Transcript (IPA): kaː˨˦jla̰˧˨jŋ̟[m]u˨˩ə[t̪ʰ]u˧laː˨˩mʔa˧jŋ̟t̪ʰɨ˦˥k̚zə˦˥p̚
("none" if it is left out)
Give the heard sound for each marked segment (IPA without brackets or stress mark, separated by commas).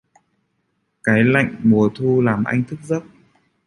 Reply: m, t̪ʰ